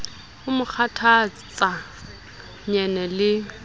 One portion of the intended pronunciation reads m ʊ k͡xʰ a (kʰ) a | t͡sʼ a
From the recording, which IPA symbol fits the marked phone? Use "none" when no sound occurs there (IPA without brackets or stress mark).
tʰ